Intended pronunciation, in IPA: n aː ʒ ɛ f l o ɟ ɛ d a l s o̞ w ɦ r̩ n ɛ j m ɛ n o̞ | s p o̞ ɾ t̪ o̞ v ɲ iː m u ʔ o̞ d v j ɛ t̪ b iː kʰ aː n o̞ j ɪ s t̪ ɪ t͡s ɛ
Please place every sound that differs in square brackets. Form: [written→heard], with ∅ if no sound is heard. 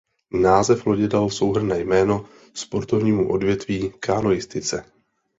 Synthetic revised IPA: n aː [ʒ→z] ɛ f l o ɟ ɛ d a l s o̞ w ɦ r̩ n [ɛ→ɛː] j m [ɛ→ɛː] n o̞ | s p o̞ ɾ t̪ o̞ v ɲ iː m u ʔ o̞ d v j ɛ t̪ [b→v] iː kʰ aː n o̞ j ɪ s t̪ ɪ t͡s ɛ